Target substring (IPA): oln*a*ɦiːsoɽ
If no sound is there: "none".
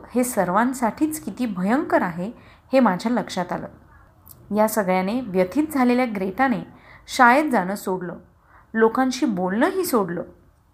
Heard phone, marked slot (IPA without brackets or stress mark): ə